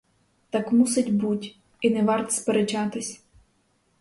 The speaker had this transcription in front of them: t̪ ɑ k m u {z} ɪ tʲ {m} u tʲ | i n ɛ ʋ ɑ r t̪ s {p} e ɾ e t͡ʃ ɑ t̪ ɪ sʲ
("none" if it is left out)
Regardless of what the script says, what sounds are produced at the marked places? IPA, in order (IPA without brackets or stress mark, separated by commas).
s, b, p